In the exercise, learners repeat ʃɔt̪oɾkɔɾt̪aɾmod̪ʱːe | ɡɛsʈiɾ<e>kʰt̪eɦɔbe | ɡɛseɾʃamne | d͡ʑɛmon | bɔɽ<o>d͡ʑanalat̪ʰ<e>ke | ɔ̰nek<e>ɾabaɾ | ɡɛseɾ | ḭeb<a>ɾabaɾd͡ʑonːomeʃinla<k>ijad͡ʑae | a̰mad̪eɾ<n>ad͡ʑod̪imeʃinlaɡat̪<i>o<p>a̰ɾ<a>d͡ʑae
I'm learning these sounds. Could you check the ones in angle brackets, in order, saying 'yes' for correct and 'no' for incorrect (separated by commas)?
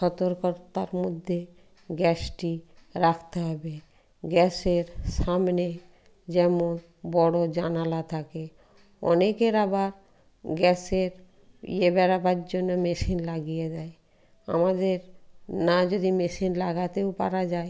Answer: no, yes, no, yes, no, no, yes, no, yes, yes